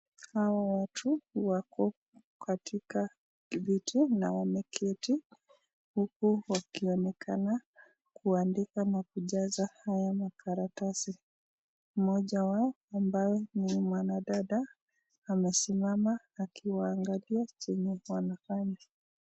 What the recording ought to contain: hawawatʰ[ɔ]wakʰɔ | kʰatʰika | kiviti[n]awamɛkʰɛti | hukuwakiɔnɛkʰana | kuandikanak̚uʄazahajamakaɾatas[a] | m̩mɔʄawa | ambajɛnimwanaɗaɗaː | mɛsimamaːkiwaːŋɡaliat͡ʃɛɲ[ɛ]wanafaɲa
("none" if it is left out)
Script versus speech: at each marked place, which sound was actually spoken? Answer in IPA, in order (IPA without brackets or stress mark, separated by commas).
u, n, i, ɛ